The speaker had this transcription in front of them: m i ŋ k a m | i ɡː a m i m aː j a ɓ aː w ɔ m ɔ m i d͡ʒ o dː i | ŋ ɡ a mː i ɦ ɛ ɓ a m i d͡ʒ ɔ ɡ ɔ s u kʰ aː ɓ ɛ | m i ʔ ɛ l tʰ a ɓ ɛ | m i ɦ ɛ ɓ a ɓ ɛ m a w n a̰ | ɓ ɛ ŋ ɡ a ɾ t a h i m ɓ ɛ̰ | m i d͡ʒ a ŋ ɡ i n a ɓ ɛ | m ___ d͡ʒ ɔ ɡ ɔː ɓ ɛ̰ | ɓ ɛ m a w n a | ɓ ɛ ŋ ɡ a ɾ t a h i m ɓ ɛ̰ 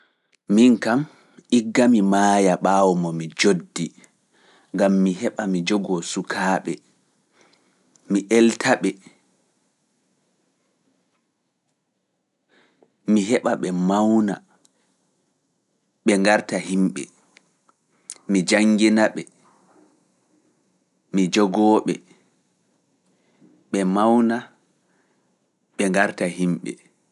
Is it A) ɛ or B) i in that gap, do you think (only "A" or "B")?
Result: B